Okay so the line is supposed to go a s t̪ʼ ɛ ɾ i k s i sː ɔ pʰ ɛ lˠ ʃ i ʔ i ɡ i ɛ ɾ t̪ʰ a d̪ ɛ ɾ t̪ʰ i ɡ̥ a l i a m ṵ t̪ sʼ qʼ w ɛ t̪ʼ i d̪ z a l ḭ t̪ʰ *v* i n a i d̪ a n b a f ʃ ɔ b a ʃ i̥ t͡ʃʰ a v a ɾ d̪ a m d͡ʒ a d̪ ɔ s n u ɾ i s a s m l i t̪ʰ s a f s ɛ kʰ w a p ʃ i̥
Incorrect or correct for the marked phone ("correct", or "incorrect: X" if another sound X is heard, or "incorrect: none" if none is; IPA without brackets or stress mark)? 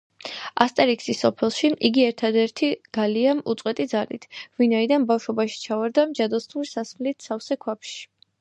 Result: correct